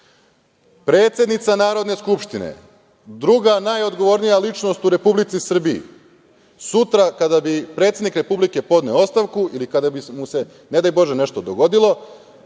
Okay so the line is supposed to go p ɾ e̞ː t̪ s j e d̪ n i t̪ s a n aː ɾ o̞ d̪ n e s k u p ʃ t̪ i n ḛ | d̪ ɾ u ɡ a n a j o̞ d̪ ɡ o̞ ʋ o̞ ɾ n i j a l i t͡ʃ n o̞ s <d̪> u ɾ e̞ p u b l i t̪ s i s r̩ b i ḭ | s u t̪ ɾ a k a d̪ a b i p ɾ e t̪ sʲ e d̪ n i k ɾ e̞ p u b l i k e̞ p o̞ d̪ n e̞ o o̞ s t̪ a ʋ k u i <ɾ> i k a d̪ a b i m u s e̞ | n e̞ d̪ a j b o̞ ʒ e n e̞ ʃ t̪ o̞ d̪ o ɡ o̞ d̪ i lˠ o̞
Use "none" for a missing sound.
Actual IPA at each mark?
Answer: t̪, l

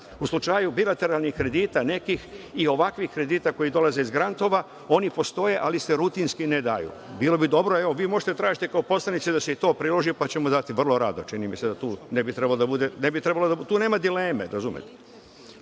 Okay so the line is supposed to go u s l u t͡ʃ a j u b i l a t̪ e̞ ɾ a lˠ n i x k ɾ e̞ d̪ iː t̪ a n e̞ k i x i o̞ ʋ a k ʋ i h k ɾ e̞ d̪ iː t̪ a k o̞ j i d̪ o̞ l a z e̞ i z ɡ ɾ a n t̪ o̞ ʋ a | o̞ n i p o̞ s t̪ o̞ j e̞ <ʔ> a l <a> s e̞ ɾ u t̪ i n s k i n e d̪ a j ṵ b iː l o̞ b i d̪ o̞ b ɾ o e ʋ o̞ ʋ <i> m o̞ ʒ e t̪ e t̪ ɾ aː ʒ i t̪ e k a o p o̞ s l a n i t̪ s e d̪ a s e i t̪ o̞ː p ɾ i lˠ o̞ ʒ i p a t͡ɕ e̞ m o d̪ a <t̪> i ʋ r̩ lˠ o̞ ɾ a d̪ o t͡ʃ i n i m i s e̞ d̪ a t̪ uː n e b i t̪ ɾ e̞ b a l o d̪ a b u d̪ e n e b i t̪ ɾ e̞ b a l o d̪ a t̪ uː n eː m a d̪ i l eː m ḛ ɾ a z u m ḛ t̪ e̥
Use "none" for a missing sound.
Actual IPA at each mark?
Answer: ʔ, i, iː, t̪

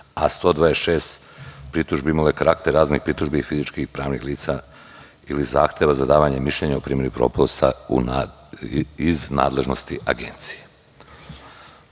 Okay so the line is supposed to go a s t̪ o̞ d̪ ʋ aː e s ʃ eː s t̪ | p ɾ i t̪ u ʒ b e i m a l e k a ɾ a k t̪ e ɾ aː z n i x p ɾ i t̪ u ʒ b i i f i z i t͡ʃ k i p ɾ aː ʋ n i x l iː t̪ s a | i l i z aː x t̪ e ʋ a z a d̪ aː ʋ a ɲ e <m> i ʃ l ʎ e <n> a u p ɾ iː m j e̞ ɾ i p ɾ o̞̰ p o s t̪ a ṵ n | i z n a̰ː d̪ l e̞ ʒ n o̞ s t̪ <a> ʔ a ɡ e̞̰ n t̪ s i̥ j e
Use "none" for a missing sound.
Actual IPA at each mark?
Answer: m, ɲ, i

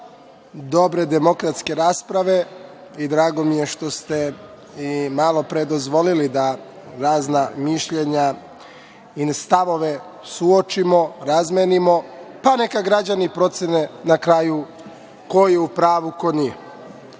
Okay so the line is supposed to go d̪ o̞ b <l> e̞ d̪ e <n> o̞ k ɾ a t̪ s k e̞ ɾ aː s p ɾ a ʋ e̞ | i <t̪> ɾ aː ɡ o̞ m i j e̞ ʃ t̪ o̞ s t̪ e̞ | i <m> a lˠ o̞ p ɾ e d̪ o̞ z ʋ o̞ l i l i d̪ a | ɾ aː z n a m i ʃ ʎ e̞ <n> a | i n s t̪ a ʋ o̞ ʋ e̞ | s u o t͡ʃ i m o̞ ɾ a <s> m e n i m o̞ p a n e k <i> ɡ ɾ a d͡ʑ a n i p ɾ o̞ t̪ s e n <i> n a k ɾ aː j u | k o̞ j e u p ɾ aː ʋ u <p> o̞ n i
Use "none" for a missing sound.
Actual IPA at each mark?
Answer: ɾ, m, d̪, m, ɲ, z, a, e, k

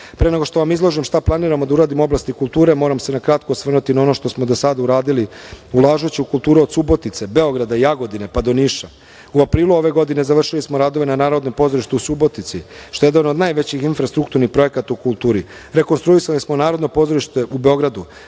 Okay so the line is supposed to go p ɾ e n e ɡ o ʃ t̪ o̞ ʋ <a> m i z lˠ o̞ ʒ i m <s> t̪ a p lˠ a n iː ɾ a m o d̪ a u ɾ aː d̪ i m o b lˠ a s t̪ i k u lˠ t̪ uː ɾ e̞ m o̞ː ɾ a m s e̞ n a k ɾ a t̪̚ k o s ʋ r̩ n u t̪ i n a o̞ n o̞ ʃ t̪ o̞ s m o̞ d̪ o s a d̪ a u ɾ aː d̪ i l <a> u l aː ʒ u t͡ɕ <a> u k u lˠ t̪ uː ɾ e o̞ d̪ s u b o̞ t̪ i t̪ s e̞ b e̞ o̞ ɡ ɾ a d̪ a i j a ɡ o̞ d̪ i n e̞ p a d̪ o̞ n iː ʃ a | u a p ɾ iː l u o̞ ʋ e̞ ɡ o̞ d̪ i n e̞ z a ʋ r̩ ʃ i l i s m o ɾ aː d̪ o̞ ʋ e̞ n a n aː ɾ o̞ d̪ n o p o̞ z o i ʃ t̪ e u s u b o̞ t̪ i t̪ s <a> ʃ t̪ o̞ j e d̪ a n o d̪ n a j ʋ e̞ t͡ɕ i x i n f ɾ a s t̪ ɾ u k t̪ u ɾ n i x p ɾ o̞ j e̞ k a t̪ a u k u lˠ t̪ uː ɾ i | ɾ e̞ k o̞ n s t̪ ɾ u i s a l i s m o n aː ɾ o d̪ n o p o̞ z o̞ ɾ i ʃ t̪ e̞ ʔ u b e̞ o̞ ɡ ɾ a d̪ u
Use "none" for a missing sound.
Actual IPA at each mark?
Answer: a, ʃ, i, i, i

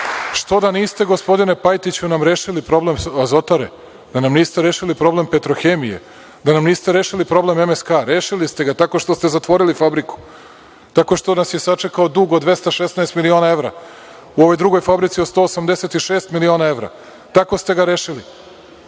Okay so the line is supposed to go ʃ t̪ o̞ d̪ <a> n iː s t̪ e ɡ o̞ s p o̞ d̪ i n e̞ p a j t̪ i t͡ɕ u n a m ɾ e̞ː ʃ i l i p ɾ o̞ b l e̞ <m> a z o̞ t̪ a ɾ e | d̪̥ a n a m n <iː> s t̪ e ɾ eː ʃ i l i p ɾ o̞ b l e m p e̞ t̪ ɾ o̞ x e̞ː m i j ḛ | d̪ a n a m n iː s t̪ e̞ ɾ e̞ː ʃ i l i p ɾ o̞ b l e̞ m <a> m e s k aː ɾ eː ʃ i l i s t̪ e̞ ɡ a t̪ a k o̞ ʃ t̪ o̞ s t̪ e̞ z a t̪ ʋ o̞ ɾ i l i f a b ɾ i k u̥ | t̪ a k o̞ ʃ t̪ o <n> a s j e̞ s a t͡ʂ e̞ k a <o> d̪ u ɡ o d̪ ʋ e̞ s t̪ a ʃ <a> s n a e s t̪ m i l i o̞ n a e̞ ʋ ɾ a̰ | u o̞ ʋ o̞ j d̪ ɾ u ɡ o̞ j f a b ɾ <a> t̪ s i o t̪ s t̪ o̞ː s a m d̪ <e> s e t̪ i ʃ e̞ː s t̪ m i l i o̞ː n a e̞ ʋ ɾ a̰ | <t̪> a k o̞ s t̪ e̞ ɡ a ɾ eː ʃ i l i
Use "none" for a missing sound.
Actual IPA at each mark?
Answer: a, m, iː, e, n, o, e, i, e, t̪

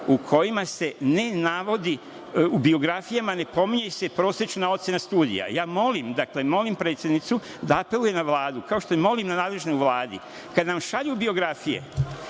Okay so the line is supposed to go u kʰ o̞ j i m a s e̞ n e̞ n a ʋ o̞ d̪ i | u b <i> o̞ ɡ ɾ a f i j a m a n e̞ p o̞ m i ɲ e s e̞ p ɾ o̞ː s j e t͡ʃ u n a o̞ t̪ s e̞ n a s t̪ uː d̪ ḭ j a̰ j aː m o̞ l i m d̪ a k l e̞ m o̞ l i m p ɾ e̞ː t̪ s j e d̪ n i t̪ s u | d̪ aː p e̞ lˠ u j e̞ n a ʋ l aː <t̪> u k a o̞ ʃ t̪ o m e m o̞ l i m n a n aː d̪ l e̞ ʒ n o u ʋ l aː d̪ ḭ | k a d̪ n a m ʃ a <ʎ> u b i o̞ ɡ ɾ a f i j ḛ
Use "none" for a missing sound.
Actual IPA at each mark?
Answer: i, d̪, ʎ

